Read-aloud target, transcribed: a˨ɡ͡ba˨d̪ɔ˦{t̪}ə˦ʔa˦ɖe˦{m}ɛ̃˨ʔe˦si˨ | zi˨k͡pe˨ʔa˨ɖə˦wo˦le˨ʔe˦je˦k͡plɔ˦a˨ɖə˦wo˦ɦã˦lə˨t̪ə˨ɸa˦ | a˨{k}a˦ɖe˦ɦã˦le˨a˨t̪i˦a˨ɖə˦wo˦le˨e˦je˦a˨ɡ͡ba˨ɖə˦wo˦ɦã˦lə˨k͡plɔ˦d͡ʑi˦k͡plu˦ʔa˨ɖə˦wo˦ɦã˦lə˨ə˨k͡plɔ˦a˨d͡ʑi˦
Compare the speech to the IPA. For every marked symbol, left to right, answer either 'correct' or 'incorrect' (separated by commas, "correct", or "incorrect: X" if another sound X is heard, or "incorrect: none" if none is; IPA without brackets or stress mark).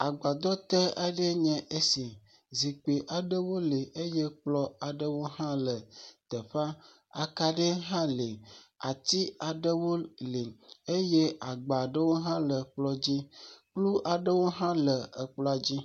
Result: correct, incorrect: ɲ, correct